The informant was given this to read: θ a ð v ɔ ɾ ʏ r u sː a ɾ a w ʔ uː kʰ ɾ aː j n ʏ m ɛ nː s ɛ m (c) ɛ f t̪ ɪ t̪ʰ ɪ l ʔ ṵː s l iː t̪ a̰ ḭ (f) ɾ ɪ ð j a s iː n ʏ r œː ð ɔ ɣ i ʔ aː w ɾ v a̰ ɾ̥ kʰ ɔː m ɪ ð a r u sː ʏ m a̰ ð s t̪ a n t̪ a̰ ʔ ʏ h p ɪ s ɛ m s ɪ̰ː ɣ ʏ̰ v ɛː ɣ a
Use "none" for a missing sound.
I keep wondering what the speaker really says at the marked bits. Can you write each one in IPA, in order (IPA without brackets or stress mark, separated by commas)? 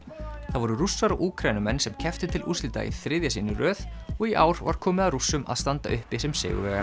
cʰ, θ